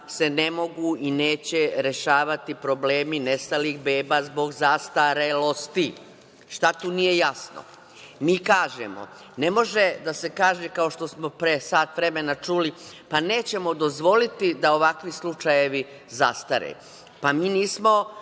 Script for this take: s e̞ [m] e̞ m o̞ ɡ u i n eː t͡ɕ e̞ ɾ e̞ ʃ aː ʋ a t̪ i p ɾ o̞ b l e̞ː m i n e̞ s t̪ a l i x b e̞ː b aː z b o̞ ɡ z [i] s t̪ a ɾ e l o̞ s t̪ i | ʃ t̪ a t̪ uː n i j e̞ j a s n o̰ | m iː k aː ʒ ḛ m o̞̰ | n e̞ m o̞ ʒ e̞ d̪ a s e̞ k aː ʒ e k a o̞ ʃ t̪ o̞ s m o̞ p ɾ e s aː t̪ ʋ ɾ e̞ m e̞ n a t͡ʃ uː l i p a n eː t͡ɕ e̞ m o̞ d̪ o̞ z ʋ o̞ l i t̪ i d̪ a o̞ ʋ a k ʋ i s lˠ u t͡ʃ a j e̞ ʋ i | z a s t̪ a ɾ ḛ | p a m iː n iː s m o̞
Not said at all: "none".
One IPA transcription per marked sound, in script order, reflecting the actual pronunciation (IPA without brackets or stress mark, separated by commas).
n, a